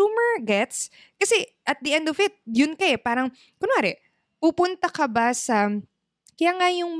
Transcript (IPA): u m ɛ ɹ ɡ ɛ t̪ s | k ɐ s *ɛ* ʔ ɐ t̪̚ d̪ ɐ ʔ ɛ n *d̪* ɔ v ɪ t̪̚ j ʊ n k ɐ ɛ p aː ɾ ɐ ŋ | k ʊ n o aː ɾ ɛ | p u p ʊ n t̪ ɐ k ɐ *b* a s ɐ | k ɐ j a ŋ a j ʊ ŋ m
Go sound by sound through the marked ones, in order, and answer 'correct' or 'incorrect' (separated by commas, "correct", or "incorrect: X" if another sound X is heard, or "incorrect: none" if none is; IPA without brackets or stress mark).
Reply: correct, correct, correct